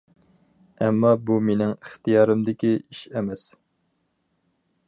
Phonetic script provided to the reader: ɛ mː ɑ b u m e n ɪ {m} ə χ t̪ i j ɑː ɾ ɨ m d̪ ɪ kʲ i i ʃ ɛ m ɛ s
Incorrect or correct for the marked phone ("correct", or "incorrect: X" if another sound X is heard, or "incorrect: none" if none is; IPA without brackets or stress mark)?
incorrect: ŋ